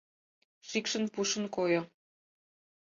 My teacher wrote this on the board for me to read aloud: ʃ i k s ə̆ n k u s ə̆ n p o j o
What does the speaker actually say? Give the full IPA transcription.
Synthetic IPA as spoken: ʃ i k ʃ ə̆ n p u ʃ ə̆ n k o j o